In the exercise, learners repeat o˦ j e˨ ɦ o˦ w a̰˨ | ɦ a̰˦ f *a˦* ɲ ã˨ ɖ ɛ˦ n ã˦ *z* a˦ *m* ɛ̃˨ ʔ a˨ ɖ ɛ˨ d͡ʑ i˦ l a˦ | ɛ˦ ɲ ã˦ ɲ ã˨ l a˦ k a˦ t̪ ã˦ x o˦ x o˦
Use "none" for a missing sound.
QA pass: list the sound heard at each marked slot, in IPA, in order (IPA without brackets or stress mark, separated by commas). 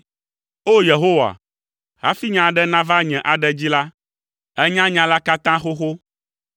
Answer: i˦, v, ɲ